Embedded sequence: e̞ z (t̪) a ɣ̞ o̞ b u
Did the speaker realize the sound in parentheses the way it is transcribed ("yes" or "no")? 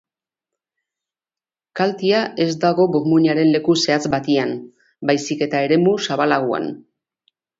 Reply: no